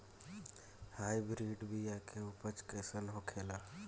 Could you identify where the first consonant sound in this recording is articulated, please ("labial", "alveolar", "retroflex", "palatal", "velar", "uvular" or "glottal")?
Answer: glottal